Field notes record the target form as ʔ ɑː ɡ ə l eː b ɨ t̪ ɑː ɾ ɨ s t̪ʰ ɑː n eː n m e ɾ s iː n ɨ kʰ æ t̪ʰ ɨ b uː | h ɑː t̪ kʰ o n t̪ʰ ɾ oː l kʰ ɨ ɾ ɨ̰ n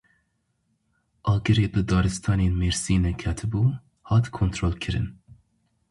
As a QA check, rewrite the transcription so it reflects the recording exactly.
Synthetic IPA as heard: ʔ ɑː ɡ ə ɾ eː b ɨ d̪ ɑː ɾ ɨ s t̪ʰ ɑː n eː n m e ɾ s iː n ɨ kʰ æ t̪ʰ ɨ b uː | h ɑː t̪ kʰ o n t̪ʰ ɾ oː l kʰ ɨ ɾ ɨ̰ n